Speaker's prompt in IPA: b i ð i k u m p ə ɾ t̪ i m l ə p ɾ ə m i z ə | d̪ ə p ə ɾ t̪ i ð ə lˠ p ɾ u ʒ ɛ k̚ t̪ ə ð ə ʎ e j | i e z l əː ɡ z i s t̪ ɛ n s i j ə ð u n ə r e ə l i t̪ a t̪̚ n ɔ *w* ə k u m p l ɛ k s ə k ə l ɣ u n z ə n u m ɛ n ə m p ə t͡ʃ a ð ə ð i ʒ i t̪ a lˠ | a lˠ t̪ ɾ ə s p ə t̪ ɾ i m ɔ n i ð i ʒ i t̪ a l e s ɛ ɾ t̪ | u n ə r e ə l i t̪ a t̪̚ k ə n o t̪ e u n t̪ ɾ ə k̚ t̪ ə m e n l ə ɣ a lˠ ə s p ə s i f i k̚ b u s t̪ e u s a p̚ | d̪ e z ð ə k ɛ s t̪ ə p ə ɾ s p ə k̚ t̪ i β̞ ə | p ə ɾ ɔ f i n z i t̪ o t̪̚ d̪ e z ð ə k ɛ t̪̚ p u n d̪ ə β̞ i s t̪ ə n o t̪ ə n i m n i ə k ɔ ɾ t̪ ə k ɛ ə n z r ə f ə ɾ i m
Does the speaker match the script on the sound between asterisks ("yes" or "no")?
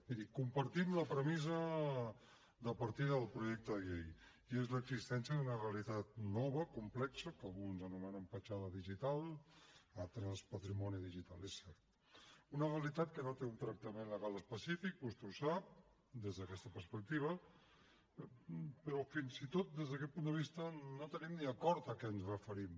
no